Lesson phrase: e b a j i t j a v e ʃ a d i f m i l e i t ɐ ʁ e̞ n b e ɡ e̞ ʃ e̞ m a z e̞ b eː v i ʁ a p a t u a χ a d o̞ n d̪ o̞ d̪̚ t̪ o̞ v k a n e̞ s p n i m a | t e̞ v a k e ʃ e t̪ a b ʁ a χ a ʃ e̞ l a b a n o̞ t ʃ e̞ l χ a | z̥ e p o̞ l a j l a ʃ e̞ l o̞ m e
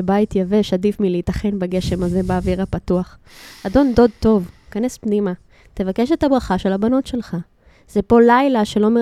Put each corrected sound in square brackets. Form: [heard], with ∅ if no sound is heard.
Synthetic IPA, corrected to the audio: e b a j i t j a v e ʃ a d i f m i l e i t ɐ [χ] e̞ n b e ɡ e̞ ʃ e̞ m a z e̞ b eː v i ʁ a p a t u a χ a d o̞ n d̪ o̞ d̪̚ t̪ o̞ v k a n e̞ s p n i m a | t e̞ v a k e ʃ e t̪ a b ʁ a χ a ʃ e̞ l a b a n o̞ t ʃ e̞ l χ a | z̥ e p o̞ l a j l a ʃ e̞ l o̞ m e